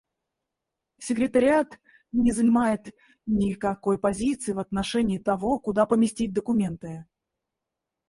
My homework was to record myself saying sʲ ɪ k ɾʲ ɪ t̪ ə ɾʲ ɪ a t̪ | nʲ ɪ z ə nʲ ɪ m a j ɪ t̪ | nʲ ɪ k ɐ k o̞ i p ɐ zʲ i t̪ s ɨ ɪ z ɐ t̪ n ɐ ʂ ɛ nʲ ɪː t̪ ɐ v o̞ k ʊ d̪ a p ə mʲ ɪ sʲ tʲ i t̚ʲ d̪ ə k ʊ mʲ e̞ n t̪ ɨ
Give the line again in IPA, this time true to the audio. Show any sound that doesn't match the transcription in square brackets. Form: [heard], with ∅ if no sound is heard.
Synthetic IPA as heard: sʲ ɪ k ɾʲ ɪ t̪ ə ɾʲ ɪ a t̪ | nʲ ɪ z ə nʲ ɪ m a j ɪ t̪ | nʲ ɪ k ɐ k o̞ [j] p ɐ zʲ i t̪ s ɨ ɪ [v] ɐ t̪ n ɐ ʂ ɛ nʲ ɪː t̪ ɐ v o̞ k ʊ d̪ a p ə mʲ ɪ sʲ tʲ i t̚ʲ d̪ ə k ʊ mʲ e̞ n t̪ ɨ